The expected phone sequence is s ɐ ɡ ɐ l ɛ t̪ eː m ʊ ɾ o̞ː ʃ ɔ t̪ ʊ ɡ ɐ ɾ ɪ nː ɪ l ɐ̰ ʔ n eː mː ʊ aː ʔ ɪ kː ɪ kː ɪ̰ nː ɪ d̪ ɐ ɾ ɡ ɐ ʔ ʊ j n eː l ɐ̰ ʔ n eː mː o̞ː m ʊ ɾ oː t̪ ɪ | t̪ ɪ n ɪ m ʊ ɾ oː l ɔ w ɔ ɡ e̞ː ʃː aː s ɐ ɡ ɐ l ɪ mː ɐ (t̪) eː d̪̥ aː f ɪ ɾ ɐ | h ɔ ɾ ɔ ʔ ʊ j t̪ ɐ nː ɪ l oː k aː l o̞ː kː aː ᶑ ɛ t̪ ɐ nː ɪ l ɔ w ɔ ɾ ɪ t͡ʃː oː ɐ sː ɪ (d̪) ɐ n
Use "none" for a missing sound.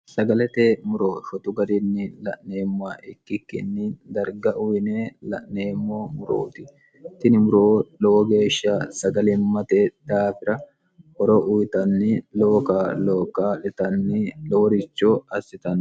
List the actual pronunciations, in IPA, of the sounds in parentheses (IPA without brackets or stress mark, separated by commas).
t̪, t̪